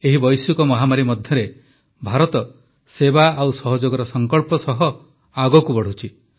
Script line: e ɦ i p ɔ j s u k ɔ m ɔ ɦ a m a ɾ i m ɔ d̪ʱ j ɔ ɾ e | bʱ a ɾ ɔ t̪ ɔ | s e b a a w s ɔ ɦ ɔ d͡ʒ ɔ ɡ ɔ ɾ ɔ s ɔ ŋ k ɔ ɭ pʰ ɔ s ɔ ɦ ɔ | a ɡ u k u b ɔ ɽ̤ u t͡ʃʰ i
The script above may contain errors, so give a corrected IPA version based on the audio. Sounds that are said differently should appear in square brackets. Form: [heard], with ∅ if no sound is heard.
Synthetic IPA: e ɦ i [b] ɔ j s u k ɔ m ɔ ɦ a m a ɾ i m ɔ d̪ʱ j ɔ ɾ e | bʱ a ɾ ɔ t̪ ɔ | s e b a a w s ɔ ɦ ɔ d͡ʒ [o] ɡ ɔ ɾ ɔ s ɔ ŋ k ɔ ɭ [p] ɔ s ɔ ɦ ɔ | a ɡ [ɔ] k u b ɔ ɽ̤ u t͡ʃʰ i